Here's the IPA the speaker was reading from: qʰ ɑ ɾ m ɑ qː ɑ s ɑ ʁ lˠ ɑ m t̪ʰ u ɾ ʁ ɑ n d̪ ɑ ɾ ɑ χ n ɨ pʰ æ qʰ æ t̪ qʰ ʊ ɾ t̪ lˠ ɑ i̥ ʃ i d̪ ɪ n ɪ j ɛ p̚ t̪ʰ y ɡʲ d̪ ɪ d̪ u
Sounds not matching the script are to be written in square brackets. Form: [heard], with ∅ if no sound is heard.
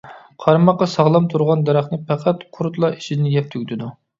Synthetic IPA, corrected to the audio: qʰ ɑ ɾ m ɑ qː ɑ s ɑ ʁ lˠ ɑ m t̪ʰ u ɾ ʁ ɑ n d̪ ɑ ɾ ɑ χ n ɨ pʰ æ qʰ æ t̪ qʰ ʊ ɾ t̪ lˠ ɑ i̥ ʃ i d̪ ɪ n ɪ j ɛ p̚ t̪ʰ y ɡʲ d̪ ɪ d̪ u

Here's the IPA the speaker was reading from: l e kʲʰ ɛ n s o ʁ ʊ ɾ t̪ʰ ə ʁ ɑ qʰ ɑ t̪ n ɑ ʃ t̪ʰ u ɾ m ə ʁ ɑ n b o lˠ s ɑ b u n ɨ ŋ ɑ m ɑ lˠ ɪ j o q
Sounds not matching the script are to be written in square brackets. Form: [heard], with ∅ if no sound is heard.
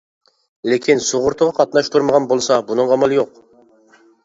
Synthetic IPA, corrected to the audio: l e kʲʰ [i] n s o ʁ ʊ ɾ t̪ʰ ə ʁ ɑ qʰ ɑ t̪ n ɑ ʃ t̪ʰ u ɾ m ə ʁ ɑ n b o lˠ s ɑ b u n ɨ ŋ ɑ m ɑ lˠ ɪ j o q

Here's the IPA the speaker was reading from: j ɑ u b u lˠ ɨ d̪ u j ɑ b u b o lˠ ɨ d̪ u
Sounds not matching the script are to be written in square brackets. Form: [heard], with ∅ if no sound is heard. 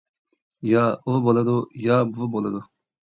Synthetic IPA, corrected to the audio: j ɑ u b [o] lˠ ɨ d̪ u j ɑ b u b o lˠ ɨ d̪ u

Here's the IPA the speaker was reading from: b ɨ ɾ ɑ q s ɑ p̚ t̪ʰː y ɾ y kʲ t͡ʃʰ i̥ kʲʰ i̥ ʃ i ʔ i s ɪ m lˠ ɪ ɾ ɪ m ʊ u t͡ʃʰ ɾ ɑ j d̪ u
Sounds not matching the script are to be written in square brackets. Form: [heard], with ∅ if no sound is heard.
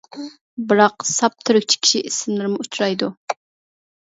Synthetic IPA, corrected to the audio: b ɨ ɾ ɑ q s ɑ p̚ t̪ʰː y ɾ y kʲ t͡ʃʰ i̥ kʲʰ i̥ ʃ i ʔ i s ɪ m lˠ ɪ ɾ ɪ m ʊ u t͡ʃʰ ɾ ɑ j d̪ u

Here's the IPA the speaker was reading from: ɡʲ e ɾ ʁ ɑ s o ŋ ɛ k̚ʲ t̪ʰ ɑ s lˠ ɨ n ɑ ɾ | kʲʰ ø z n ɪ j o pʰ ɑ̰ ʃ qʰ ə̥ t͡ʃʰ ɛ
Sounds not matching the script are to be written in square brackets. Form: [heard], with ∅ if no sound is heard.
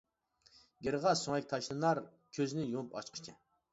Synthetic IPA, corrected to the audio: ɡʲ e ɾ ʁ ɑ s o ŋ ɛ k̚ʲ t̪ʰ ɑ [ʃ] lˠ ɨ n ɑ ɾ | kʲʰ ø z n ɪ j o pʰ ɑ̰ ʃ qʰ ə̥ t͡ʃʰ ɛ

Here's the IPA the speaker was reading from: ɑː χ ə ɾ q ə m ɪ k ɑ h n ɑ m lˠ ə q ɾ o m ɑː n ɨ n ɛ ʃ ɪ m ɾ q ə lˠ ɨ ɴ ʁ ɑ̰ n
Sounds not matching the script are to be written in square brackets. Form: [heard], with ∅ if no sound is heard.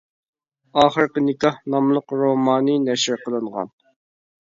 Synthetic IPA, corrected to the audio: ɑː χ ə ɾ q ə [n] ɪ k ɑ h n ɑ m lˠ ə q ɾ o m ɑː n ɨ n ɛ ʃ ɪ [∅] ɾ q ə lˠ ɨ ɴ ʁ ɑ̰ n

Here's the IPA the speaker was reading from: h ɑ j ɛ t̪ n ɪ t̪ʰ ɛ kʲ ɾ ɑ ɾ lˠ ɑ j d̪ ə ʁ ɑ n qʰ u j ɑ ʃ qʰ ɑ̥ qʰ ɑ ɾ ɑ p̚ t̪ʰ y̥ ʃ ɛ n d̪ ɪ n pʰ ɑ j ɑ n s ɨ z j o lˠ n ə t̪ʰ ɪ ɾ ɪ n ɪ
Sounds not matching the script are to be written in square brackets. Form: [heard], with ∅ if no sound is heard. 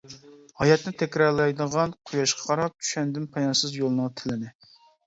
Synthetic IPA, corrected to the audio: h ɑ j ɛ t̪ n ɪ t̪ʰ ɛ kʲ ɾ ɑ ɾ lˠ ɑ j d̪ ə ʁ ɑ n qʰ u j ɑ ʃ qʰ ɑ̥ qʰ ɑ ɾ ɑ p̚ t̪ʰ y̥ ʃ ɛ n d̪ ɪ n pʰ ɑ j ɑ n s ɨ z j o lˠ n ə t̪ʰ ɪ [l] ɪ n ɪ

